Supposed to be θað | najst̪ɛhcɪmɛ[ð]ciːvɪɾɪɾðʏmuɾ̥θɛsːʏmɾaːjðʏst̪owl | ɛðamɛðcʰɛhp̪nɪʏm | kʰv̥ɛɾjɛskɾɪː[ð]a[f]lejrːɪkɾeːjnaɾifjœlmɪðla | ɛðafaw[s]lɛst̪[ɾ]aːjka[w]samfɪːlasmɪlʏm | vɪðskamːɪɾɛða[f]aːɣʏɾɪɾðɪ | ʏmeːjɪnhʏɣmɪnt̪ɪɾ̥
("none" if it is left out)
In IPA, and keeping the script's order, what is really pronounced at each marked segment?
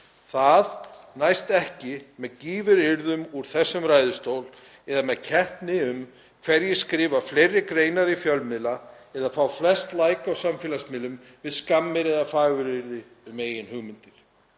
ð, v, f, f, l, w, f

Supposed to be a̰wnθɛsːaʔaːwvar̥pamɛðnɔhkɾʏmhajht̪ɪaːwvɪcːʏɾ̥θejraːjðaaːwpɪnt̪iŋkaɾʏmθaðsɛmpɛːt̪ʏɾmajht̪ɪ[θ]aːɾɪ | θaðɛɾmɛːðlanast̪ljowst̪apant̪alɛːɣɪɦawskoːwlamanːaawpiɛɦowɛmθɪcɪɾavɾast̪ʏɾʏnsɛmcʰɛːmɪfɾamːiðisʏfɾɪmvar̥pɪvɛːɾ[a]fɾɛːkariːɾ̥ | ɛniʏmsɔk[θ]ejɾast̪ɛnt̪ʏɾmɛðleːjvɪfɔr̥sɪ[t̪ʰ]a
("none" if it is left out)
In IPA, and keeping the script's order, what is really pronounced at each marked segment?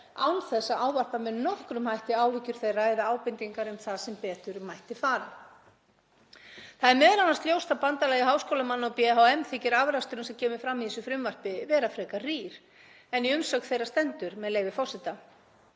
f, a, θ, t̪

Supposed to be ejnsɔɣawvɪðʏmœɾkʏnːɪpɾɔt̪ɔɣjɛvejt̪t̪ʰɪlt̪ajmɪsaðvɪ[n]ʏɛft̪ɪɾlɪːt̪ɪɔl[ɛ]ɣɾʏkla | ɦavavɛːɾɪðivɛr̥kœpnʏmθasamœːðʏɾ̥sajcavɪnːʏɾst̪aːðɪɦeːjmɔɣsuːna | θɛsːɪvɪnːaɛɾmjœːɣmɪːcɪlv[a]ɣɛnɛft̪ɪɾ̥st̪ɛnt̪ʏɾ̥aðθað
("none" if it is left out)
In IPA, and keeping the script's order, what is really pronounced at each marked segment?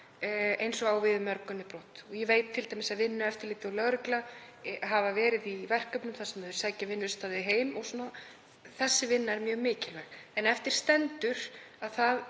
nː, œ, ɛ

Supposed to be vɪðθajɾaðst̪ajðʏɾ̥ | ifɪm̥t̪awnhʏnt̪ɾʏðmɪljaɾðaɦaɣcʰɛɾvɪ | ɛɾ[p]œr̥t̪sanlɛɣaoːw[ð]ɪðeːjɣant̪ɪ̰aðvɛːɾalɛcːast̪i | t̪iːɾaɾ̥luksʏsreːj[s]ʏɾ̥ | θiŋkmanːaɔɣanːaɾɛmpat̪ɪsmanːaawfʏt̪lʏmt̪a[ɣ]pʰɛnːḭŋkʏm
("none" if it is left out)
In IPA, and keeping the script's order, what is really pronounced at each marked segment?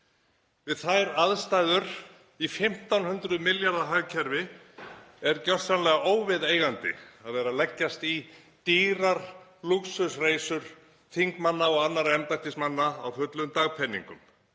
c, v, s, ɣ

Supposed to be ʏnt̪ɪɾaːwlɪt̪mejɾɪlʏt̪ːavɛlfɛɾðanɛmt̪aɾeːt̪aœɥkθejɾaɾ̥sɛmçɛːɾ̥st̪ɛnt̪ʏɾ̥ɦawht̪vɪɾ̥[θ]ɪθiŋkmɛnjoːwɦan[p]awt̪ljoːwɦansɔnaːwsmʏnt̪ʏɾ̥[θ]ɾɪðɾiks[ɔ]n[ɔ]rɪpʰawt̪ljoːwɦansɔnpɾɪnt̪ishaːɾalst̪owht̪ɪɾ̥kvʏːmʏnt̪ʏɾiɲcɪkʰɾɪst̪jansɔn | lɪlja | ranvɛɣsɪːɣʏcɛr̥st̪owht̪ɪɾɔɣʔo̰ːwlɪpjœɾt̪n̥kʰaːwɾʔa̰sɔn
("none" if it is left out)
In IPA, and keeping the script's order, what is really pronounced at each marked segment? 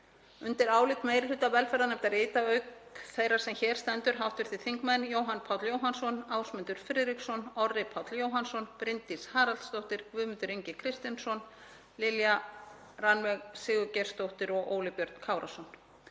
θ, pʰ, f, ɔ, ɔ

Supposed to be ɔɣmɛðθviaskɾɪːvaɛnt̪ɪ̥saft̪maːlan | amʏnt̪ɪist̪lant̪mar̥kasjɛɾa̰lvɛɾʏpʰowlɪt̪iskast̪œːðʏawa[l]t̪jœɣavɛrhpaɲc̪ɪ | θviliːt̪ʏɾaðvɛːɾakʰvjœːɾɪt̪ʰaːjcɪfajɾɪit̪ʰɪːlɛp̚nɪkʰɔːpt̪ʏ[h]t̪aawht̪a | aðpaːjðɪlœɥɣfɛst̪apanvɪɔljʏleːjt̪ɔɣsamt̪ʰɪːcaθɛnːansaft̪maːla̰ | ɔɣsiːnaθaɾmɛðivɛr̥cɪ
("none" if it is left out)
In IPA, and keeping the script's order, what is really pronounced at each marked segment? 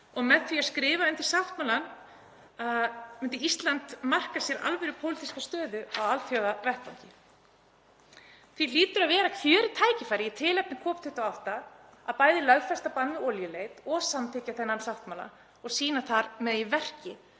l, h

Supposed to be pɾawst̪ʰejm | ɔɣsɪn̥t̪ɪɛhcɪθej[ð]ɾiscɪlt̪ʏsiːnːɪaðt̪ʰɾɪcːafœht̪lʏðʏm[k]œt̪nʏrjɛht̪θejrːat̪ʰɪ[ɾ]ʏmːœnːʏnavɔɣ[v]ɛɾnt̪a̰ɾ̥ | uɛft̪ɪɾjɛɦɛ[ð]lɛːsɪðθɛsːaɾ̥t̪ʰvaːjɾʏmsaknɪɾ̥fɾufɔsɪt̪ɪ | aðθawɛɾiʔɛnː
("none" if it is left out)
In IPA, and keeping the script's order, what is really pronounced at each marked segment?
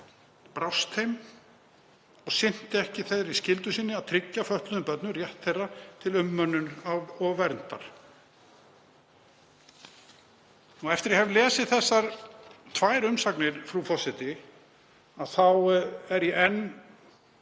ð, p, l, v, v

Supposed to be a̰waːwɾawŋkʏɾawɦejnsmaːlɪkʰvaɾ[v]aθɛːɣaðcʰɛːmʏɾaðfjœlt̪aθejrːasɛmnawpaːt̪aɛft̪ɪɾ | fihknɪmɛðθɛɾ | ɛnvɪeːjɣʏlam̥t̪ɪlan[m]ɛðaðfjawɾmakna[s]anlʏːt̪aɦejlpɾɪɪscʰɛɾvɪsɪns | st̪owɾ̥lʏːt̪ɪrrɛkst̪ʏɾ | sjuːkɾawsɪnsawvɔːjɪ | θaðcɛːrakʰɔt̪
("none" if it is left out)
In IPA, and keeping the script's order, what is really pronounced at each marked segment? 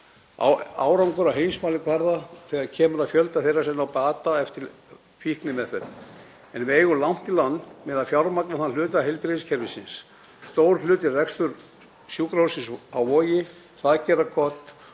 ð, m, θ

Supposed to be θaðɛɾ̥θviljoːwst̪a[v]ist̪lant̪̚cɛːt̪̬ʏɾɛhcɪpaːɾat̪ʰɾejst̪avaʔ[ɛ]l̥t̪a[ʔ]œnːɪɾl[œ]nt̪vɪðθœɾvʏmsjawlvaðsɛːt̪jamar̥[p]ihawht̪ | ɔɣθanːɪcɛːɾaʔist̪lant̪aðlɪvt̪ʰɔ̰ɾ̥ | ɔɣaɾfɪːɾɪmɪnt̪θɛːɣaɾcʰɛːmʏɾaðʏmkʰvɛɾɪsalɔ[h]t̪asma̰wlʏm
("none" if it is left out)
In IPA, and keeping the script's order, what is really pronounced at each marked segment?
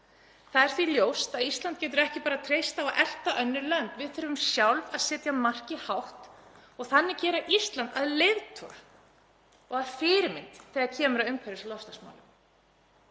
ð, ɛ, ʔ, œ, c, s

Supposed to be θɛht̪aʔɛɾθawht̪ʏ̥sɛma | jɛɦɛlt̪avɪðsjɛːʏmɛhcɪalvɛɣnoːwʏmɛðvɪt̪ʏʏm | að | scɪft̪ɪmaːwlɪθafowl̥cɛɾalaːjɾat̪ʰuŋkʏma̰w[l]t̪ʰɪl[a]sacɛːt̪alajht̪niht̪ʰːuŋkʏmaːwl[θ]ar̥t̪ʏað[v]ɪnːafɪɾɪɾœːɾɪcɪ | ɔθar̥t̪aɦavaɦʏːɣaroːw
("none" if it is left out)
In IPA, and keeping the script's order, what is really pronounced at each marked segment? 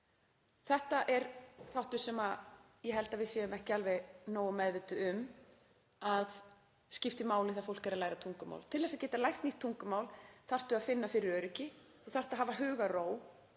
l, ɛ, θ, f

